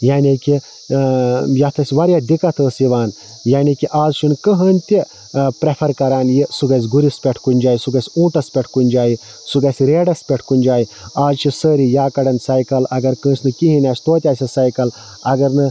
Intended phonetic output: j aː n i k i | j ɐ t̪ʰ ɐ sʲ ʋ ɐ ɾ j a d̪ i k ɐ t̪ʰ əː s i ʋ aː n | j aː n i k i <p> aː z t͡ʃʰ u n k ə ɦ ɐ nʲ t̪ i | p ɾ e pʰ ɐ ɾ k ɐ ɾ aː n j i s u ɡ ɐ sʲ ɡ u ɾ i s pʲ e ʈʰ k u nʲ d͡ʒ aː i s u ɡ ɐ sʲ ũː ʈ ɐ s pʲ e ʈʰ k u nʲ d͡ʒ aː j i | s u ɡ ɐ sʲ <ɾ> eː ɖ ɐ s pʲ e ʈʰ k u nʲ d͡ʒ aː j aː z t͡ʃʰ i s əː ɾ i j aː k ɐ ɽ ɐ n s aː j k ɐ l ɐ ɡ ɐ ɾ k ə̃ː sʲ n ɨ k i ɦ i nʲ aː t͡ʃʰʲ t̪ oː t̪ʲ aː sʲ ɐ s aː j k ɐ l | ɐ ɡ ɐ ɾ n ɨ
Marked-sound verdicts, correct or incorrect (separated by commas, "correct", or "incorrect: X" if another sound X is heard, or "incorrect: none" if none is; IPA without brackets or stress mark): incorrect: ʔ, correct